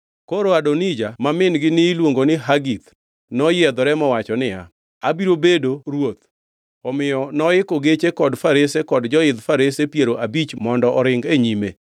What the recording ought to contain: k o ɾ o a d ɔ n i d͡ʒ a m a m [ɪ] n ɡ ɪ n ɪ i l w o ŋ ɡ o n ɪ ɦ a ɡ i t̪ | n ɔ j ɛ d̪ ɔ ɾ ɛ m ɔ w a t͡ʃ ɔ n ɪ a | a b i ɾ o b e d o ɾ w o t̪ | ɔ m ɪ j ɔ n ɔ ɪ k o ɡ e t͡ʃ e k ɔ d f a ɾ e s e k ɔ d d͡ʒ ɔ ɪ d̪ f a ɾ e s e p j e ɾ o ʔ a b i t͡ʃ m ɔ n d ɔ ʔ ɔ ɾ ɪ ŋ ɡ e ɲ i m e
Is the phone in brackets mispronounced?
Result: no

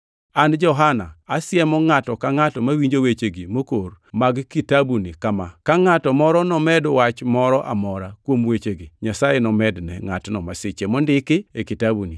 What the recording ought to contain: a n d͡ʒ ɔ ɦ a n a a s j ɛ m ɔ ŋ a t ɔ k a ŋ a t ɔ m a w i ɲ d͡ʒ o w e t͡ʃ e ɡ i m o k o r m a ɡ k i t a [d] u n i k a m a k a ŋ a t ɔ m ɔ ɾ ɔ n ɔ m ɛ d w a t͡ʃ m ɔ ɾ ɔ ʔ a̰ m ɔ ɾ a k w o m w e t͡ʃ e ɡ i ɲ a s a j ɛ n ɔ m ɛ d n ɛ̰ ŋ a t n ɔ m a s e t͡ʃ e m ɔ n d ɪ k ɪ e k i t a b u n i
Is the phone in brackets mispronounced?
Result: yes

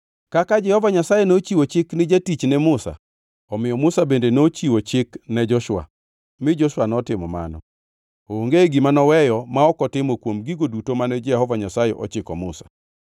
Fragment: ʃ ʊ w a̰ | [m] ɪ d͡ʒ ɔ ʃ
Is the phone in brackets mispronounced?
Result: no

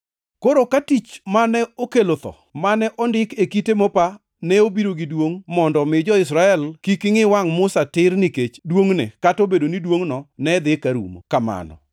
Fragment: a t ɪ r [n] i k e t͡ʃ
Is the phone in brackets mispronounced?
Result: no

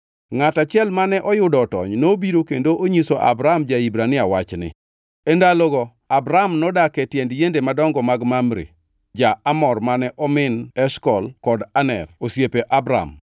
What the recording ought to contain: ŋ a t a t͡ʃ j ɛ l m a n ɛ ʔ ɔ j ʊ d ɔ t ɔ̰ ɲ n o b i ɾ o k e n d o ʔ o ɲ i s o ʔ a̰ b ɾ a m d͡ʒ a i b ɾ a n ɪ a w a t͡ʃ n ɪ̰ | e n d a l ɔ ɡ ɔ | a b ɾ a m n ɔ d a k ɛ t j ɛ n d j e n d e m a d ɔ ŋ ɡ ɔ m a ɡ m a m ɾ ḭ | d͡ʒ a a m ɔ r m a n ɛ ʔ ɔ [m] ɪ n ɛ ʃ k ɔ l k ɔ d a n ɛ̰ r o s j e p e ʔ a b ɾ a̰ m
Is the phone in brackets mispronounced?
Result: no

